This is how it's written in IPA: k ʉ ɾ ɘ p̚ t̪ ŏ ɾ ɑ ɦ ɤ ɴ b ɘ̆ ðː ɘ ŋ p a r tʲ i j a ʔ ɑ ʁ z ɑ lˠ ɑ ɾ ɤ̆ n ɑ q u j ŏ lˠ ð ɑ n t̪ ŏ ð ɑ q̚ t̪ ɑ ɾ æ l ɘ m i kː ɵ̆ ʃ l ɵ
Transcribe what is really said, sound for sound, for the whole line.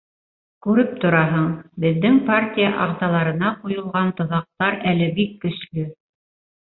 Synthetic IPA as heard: k ʉ ɾ ɘ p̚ t̪ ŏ ɾ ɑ ɦ ɤ ɴ b ɘ̆ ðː ɘ ŋ p a r tʲ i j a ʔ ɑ ʁ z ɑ lˠ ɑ ɾ ɤ̆ n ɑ q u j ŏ lˠ ʁ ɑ n t̪ ŏ ð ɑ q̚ t̪ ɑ ɾ æ l ɘ b i kː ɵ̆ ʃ l ɵ